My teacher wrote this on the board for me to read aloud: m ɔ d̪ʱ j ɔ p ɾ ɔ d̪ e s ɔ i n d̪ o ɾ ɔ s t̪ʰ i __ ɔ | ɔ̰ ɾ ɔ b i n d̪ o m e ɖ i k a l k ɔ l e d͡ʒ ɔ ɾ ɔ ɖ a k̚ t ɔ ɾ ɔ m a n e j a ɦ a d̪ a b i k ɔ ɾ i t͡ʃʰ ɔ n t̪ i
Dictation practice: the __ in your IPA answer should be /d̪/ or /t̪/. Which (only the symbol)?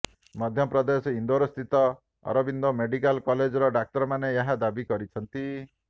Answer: t̪